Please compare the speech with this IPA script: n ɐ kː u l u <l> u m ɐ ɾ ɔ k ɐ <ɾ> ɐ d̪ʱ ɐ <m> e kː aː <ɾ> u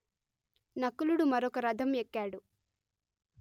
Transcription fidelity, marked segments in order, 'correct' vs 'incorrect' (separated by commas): incorrect, correct, correct, incorrect